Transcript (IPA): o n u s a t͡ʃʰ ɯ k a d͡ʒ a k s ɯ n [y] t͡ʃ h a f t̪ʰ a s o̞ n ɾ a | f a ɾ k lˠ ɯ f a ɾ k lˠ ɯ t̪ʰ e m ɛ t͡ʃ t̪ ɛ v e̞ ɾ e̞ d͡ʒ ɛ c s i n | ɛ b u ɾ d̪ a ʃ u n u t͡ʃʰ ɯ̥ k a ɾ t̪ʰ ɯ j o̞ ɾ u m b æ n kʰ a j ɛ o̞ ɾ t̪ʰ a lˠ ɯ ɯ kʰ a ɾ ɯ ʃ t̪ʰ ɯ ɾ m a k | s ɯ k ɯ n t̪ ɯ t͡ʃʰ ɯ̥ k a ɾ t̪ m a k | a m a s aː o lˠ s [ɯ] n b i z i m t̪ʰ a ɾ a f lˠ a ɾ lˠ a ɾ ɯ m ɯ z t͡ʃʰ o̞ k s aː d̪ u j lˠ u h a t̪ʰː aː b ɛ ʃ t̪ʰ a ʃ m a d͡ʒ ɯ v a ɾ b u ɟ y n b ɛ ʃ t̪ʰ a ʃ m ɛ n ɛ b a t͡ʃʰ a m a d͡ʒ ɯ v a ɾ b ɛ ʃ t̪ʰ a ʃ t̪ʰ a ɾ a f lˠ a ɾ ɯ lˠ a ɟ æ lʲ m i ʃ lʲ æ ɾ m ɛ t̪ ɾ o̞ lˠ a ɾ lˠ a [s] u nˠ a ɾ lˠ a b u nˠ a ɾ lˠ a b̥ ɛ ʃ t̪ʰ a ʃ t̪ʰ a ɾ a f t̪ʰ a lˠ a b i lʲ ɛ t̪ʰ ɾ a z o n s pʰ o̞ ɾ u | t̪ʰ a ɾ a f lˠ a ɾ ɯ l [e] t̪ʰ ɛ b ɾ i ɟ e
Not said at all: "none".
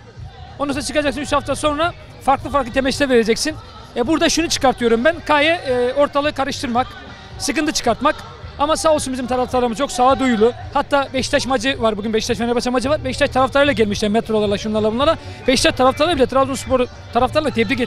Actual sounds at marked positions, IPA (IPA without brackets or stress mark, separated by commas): y, u, ʃ, a